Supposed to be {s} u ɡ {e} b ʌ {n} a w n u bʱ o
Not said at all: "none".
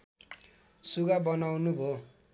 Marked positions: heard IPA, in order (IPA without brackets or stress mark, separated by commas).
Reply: s, a, n